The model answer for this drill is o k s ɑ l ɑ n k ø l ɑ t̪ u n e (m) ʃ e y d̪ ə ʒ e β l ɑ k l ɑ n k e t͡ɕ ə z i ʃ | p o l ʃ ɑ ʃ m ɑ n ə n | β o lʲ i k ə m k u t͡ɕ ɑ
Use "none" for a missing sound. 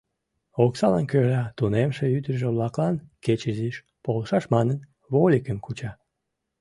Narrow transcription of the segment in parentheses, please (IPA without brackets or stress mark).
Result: m